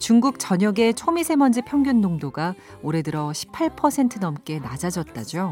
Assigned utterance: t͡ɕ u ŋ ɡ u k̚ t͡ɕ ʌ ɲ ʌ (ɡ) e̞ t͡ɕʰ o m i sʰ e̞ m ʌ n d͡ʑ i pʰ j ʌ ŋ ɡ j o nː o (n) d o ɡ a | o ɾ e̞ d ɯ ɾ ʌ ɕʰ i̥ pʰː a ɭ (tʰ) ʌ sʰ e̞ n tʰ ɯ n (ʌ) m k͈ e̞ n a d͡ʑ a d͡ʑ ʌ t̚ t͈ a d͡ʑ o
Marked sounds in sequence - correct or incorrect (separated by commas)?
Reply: correct, incorrect, incorrect, correct